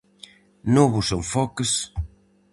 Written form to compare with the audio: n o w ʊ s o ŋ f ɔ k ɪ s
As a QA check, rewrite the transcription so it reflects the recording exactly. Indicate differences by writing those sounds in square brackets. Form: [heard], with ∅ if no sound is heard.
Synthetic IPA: n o [β] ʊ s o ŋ f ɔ k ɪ s